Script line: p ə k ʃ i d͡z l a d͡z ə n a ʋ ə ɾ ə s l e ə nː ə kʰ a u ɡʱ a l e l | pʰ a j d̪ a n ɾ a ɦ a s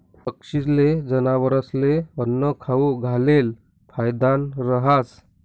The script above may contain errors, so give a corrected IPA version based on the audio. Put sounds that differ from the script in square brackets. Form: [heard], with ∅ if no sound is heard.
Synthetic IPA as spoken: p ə k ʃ i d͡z l [e] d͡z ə n a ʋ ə ɾ ə s l e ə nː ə kʰ a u ɡʱ a l e l | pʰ a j d̪ a n ɾ [ə] ɦ a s